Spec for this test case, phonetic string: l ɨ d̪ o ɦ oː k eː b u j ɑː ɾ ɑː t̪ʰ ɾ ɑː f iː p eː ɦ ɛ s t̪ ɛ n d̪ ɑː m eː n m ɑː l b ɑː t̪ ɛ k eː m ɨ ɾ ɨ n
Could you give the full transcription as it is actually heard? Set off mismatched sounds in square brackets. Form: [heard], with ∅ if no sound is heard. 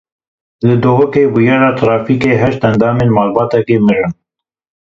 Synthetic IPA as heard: l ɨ d̪ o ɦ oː k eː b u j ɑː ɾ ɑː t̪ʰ ɾ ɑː f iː [k] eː ɦ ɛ [ʃ] t̪ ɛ n d̪ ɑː m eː n m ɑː l b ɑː t̪ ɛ k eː m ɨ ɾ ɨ n